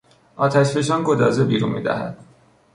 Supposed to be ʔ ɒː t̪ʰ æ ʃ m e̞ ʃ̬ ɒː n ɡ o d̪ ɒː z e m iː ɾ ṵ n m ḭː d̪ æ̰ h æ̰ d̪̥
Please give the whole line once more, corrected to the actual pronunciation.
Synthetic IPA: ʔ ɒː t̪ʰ æ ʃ b e̞ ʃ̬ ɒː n ɡ o d̪ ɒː z e b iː ɾ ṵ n m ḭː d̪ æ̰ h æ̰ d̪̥